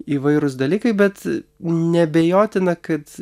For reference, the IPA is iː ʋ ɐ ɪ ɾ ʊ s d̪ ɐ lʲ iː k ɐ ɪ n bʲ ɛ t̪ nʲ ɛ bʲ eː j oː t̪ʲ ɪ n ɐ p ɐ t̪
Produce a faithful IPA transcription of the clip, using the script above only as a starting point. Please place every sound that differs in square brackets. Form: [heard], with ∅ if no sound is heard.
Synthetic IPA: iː ʋ ɐ ɪ ɾ ʊ s d̪ ɐ lʲ iː k ɐ ɪ [∅] bʲ ɛ t̪ nʲ ɛ bʲ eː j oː t̪ʲ ɪ n ɐ [k] ɐ t̪